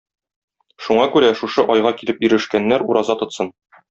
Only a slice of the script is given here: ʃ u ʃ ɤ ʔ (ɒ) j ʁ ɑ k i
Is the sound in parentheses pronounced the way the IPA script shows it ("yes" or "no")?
yes